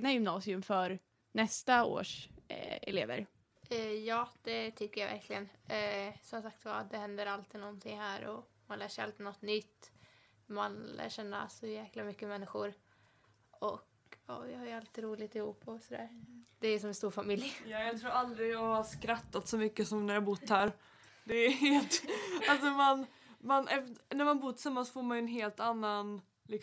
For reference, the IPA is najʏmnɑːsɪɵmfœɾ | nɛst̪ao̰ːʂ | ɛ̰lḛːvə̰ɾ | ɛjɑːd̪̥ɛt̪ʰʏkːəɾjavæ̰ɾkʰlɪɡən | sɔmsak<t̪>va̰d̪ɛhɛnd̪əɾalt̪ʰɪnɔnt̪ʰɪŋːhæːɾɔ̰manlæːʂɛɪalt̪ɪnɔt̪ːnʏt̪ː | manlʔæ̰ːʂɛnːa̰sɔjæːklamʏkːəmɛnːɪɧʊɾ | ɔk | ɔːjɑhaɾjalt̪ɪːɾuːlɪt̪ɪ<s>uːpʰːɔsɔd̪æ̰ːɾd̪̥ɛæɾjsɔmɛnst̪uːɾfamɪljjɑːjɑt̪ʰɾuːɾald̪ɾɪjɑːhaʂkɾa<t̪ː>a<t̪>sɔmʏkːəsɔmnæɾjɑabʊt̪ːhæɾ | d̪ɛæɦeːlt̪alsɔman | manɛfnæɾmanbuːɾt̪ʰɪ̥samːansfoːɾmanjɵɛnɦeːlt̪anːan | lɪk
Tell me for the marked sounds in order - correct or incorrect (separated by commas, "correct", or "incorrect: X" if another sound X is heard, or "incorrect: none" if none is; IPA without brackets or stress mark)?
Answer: correct, incorrect: h, correct, correct